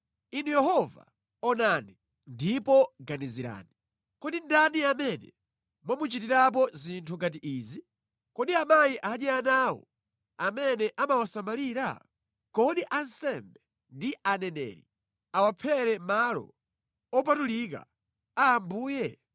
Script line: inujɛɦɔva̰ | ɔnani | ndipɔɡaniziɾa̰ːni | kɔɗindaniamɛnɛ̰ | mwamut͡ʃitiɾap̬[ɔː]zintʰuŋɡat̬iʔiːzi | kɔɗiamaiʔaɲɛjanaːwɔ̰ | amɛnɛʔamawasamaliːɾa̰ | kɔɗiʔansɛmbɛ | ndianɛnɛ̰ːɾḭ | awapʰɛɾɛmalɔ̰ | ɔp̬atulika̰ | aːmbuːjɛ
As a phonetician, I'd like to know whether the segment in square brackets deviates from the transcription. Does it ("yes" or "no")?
yes